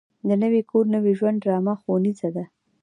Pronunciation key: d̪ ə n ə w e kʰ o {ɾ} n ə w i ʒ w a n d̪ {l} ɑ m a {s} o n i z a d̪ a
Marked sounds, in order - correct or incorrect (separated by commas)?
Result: correct, incorrect, incorrect